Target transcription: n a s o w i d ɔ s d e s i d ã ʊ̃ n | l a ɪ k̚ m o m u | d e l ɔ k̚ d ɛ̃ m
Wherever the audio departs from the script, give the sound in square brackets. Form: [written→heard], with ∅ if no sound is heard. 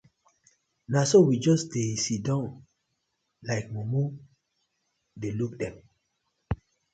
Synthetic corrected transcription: n a s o w i [d→d͡ʒ] ɔ s d e s i d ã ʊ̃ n | l a ɪ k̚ m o m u | d e l [ɔ→u] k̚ d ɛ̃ m